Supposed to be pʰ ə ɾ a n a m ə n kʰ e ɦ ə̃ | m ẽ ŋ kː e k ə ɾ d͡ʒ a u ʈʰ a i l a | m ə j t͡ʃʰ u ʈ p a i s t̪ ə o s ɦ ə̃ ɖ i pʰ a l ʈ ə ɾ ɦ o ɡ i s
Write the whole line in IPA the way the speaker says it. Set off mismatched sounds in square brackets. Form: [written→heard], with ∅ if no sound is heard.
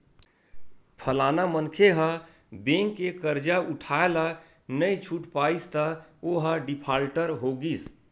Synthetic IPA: pʰ ə [ɾ→l] a n a m ə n kʰ e ɦ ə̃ | [m→b] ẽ ŋ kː e k ə ɾ d͡ʒ a u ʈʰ a [i→e] l a | [m→n] ə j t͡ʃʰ u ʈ p a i s t̪ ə o [s→∅] ɦ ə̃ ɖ i pʰ a l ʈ ə ɾ ɦ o ɡ i s

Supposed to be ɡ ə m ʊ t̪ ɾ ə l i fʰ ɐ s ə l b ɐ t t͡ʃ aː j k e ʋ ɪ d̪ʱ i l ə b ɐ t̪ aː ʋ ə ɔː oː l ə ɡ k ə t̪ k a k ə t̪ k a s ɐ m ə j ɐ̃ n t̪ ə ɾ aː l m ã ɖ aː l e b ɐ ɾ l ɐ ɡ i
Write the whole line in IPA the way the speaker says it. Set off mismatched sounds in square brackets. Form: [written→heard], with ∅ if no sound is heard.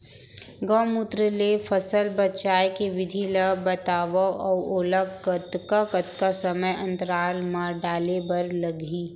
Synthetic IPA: ɡ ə m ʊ t̪ ɾ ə l [i→e] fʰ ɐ s ə l b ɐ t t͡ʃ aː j k e ʋ ɪ d̪ʱ i l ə b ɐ t̪ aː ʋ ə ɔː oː l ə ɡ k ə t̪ k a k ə t̪ k a s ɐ m ə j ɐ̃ n t̪ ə ɾ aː l m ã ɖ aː l e b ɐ ɾ l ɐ ɡ i

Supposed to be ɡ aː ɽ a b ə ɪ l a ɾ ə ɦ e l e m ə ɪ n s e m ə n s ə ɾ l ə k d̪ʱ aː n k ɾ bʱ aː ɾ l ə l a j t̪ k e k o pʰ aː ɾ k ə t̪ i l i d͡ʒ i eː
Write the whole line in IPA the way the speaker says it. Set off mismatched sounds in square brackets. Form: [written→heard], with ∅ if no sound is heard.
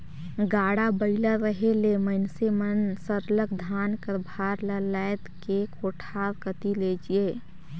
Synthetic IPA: ɡ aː ɽ a b ə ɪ l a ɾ ə ɦ e l e m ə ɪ n s e m ə n s ə ɾ l ə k d̪ʱ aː n k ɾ bʱ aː ɾ l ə l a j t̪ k e k o [pʰ→ʈʰ] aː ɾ k ə t̪ i l [i→e] d͡ʒ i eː

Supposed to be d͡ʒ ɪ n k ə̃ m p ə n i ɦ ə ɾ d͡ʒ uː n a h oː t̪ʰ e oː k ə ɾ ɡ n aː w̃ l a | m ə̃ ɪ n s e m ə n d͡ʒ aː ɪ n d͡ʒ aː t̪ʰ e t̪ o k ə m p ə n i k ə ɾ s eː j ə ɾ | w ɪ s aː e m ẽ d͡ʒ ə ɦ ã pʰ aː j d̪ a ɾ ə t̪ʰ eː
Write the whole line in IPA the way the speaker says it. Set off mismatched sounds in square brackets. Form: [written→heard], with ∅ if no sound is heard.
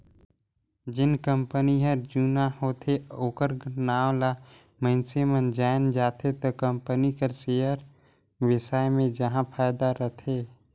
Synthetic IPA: d͡ʒ ɪ n k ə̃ m p ə n i ɦ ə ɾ d͡ʒ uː n a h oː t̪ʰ e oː k ə ɾ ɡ n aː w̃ l a | m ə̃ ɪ n s e m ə n d͡ʒ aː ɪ n d͡ʒ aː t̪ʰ e t̪ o k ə m p ə n i k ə ɾ s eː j ə ɾ | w ɪ s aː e m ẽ d͡ʒ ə ɦ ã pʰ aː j d̪ a ɾ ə t̪ʰ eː

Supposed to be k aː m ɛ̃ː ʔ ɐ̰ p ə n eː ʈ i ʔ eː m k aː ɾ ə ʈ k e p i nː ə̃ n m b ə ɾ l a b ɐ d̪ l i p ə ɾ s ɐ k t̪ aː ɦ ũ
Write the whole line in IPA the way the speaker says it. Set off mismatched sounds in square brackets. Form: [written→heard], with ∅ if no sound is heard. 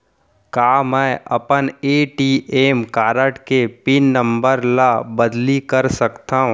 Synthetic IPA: k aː m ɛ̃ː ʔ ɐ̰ p ə n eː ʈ i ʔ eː m k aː ɾ ə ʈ k e p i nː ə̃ [n→∅] m b ə ɾ l a b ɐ d̪ l i [p→k] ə ɾ s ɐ k t̪ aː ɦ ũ

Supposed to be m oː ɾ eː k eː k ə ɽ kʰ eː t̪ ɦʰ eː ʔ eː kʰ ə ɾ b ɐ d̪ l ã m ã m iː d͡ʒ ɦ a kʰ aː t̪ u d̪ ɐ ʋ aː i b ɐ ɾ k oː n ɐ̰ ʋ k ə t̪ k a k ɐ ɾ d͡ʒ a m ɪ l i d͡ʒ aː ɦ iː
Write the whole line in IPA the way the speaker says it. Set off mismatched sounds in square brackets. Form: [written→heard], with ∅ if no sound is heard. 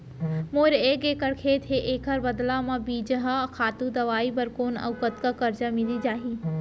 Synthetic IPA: m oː ɾ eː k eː k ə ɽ kʰ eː t̪ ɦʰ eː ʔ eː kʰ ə ɾ b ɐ d̪ l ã m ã [m→b] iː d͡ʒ ɦ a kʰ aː t̪ u d̪ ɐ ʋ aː i b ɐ ɾ k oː n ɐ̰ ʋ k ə t̪ k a k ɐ ɾ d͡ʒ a m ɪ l i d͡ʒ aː ɦ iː

